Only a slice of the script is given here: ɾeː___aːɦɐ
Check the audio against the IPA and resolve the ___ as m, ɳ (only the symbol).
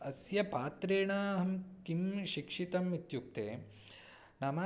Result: ɳ